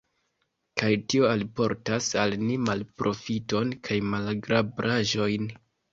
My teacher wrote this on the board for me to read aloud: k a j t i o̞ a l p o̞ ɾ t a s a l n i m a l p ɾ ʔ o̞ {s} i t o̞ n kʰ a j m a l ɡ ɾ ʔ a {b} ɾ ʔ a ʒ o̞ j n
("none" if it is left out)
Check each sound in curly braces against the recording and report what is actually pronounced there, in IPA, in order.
f, b

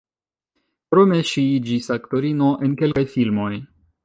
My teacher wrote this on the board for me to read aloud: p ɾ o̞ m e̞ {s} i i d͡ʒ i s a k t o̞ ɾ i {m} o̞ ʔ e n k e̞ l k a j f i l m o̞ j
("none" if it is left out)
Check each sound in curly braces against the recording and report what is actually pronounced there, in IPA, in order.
ʃ, n

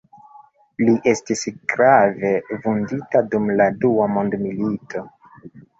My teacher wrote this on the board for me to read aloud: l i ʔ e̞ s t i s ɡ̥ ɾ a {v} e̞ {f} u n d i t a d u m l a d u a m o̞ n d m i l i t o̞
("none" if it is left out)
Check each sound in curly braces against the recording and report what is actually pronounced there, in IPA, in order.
v, v

